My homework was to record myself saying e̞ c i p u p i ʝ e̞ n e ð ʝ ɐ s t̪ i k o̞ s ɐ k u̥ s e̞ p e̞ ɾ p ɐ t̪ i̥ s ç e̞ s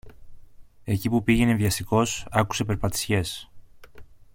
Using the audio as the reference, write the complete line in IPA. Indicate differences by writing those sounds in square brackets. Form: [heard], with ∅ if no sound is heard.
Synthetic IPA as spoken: e̞ c i p u p i ʝ e̞ n e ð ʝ ɐ s t̪ i k o̞ s ɐ k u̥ s e̞ p e̞ ɾ p ɐ t̪ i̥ s ç e̞ s